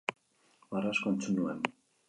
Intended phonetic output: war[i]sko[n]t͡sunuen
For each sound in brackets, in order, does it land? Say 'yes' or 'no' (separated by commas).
no, yes